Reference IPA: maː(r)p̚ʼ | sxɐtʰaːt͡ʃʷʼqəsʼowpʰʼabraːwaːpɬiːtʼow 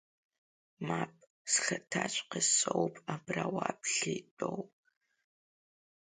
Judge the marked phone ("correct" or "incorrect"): incorrect